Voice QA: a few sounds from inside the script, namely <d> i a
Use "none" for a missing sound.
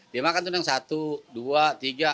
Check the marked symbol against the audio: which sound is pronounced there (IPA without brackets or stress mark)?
d